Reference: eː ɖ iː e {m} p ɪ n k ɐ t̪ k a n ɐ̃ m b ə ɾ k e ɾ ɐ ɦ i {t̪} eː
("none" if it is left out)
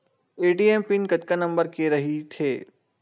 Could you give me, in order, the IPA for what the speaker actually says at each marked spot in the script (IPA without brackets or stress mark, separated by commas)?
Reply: m, t̪ʰ